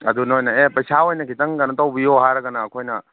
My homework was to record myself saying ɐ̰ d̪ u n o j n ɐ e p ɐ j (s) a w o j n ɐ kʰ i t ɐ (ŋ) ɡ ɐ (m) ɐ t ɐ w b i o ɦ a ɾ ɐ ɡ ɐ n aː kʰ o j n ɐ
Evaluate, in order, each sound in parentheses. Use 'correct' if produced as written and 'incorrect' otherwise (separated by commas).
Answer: correct, correct, incorrect